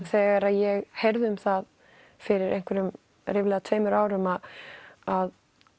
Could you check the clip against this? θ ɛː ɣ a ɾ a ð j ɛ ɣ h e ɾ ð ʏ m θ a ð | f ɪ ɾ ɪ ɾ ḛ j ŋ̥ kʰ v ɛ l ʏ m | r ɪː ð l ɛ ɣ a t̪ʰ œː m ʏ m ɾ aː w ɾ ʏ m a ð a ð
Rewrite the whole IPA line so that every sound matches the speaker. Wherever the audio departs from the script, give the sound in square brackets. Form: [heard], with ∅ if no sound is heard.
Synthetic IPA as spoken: θ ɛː ɣ a ɾ a ð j ɛ ɣ h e ɾ ð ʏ m θ a ð | f ɪ ɾ ɪ ɾ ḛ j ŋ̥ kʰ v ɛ [ɾ] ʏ m | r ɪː [v] l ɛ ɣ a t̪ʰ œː m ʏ [∅] ɾ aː w ɾ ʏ m a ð a ð